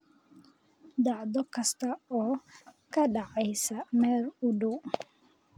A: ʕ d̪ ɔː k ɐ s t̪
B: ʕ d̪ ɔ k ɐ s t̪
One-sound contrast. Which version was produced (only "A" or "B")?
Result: B